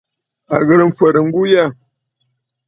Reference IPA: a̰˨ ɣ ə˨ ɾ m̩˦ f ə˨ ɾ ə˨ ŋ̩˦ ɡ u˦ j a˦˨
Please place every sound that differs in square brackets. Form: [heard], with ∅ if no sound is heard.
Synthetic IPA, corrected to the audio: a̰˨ ɣ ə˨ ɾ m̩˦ f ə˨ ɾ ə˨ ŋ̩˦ ɡ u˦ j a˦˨